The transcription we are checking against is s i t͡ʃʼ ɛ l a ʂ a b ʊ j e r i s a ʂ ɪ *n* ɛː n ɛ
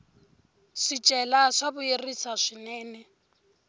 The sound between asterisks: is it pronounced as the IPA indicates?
yes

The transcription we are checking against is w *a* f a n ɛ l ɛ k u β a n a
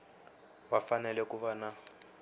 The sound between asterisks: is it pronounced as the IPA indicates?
yes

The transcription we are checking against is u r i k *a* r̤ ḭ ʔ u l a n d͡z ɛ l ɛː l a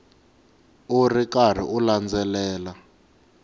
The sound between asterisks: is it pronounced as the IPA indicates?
yes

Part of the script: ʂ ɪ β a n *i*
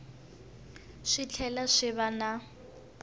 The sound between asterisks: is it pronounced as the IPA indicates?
no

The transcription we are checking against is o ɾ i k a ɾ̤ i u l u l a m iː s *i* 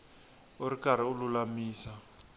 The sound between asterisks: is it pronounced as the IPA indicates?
no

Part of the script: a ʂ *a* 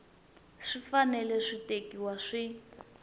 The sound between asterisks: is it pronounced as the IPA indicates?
no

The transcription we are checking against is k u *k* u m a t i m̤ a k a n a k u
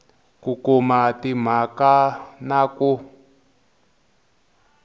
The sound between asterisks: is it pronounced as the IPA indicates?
yes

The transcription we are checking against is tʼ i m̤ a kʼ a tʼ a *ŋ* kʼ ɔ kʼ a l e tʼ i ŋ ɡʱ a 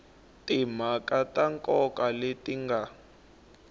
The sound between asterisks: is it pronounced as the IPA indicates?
yes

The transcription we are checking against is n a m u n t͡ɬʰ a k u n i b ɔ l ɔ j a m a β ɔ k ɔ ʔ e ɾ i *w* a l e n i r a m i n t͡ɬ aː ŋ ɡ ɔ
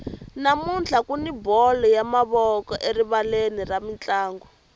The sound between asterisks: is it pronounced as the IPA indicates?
no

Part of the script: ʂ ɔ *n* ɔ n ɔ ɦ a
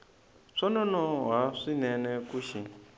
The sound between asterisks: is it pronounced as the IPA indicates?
yes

